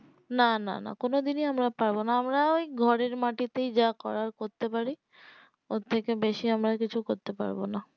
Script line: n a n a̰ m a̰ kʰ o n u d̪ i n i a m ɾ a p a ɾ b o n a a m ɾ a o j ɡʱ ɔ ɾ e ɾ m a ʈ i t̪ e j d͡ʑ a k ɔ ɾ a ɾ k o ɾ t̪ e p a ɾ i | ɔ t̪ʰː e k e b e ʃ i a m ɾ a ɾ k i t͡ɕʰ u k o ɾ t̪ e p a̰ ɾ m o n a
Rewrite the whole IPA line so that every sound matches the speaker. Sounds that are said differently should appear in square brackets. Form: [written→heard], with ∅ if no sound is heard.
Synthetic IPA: n a n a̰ [m→n] a̰ [kʰ→k] o n [u→o] d̪ i n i a m ɾ a p a ɾ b o n a a m ɾ a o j ɡʱ ɔ ɾ e ɾ m a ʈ i t̪ e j d͡ʑ a k ɔ ɾ a ɾ k o ɾ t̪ e p a ɾ i | [ɔ→o] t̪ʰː e k e b e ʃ i a m ɾ a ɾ k i t͡ɕʰ u k o ɾ t̪ e p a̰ ɾ [m→b] o n a